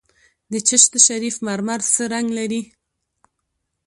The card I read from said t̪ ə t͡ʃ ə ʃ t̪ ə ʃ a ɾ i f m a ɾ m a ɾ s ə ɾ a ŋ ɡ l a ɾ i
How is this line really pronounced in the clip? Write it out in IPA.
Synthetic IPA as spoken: d̪ ə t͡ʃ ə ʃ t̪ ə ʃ a ɾ i f m a ɾ m a ɾ s ə ɾ a ŋ ɡ l a ɾ i